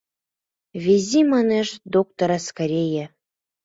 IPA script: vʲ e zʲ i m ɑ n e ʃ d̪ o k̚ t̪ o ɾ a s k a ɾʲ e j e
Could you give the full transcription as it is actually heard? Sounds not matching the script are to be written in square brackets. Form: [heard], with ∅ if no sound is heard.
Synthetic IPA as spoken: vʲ e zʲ i m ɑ n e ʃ d̪ o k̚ t̪ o ɾ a s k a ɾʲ e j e